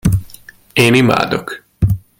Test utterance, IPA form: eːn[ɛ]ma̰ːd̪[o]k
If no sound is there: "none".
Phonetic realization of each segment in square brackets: i, o

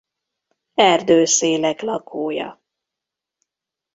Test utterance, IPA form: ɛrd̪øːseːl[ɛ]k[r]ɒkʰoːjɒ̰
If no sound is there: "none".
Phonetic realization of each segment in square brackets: ɛ, l

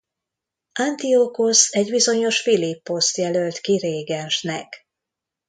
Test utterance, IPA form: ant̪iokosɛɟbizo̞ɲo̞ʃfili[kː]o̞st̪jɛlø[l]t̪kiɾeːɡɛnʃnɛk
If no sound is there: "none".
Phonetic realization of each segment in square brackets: pː, l

